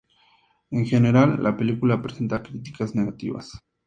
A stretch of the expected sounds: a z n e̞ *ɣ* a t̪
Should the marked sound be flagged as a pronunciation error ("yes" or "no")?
no